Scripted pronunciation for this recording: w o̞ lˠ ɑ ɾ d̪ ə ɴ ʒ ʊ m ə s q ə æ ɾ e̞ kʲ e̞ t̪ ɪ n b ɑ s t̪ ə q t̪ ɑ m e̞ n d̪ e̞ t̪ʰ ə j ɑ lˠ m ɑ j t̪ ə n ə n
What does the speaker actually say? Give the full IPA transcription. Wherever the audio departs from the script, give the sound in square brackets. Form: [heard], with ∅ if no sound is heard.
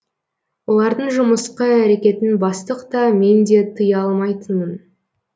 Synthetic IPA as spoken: w o̞ lˠ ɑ ɾ d̪ ə ɴ ʒ ʊ m ə s q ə æ ɾ e̞ kʲ e̞ t̪ ɪ n b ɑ s t̪ ə q t̪ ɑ m e̞ n d̪ e̞ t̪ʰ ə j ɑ lˠ m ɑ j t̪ ə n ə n

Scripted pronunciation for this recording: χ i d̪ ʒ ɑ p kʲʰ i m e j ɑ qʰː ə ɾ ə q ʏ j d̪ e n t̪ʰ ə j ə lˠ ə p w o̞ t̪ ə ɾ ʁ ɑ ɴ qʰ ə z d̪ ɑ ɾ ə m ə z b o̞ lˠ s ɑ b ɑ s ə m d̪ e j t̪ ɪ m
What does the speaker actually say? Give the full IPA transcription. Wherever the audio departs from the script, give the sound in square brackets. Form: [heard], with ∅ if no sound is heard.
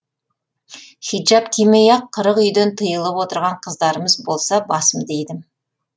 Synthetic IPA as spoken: χ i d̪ ʒ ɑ p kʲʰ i m e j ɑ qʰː ə ɾ ə q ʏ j d̪ e n t̪ʰ ə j ə lˠ ə p w o̞ t̪ ə ɾ ʁ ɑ ɴ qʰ ə z d̪ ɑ ɾ ə m ə z b o̞ lˠ s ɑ b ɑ s ə m d̪ e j [d̪] ɪ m

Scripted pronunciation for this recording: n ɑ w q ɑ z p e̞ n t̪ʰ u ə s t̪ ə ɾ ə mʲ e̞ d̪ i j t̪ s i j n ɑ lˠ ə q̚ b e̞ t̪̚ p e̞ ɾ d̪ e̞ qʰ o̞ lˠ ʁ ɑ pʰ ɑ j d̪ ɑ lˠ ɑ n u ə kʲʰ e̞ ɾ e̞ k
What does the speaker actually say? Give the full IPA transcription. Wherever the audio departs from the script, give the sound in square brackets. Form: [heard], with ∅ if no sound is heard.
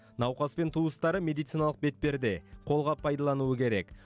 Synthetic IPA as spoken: n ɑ w q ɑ [s] p e̞ n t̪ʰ u ə s t̪ [ɑ] ɾ ə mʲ e̞ d̪ i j t̪ s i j n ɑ lˠ ə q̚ b e̞ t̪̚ p e̞ ɾ d̪ e̞ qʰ o̞ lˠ ʁ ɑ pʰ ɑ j d̪ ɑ lˠ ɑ n u ə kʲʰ e̞ ɾ e̞ k

